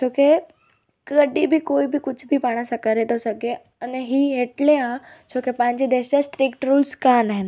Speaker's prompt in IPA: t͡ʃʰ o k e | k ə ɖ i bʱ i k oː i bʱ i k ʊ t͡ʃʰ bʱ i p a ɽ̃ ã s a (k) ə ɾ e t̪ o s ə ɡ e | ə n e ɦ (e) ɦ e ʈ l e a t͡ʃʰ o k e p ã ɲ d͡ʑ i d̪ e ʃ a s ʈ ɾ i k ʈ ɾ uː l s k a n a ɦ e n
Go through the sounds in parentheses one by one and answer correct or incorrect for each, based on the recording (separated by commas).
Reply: correct, incorrect